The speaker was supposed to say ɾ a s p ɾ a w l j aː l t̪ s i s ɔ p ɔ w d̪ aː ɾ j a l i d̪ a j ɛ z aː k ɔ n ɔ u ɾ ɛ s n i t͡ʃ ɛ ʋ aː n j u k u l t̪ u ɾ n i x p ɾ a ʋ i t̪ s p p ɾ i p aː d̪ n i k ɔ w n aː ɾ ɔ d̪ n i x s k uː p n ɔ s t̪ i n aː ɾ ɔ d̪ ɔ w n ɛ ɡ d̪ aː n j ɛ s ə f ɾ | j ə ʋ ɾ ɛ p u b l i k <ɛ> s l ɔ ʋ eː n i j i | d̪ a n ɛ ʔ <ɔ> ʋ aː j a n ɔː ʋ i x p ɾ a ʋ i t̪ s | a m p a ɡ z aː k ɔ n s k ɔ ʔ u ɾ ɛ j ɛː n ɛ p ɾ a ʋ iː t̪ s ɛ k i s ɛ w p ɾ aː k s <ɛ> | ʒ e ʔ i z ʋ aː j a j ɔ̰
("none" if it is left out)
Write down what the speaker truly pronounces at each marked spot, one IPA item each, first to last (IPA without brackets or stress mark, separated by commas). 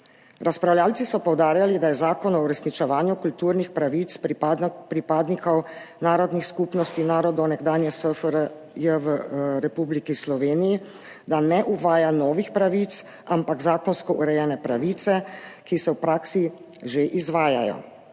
i, u, i